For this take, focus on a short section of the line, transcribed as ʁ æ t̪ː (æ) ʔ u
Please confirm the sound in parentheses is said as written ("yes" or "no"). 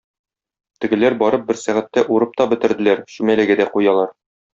yes